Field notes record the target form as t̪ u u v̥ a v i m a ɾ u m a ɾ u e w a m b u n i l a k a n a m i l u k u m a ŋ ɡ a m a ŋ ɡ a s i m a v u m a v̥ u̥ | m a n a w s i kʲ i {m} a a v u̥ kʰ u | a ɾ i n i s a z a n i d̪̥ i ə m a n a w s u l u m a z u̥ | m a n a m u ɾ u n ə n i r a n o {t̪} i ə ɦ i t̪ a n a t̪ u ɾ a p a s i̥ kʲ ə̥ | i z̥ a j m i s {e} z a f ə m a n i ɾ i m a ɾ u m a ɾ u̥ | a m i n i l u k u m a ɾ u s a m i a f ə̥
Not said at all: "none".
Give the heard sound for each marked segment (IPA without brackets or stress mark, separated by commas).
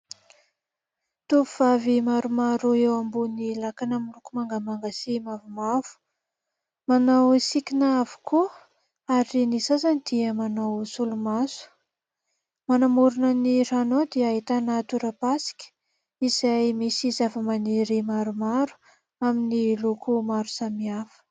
n, d̪, i